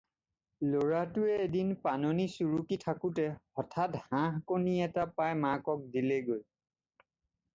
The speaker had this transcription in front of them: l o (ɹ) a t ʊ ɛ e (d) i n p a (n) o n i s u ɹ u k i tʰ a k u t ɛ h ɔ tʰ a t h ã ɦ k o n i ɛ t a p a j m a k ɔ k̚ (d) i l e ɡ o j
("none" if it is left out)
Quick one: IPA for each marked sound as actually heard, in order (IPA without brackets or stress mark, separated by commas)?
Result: ɹ, d, n, d